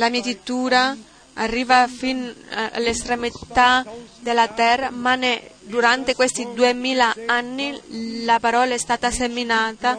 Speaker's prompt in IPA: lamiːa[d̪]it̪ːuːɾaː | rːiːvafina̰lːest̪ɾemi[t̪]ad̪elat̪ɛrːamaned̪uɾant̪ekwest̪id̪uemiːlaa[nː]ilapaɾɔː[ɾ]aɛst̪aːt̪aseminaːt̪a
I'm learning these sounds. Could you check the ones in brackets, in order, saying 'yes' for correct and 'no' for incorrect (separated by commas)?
no, yes, yes, no